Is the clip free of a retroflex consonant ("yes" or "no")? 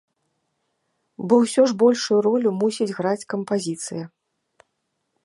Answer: no